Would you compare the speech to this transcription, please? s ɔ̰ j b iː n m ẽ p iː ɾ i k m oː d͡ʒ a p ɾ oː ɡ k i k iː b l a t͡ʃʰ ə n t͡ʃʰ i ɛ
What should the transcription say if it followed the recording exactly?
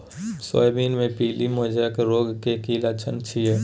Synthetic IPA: s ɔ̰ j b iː n m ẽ p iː l i m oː d͡ʒ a k ɾ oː ɡ k e k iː l a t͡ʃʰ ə n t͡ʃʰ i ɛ